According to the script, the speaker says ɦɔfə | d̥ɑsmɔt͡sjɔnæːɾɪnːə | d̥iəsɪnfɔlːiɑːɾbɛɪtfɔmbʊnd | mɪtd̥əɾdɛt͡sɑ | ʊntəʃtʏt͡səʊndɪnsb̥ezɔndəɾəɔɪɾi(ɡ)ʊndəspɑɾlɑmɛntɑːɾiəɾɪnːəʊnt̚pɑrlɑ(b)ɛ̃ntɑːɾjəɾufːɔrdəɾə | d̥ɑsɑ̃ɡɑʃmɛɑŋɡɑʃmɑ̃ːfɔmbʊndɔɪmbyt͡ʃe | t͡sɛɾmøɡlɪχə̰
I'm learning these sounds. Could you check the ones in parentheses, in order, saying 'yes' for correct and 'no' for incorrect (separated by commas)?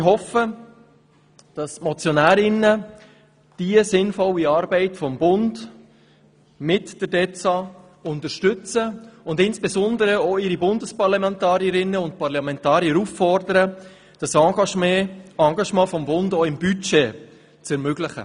no, no